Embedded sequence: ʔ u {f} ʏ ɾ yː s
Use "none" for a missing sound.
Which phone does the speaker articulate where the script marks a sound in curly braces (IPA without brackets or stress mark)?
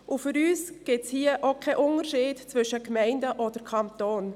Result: f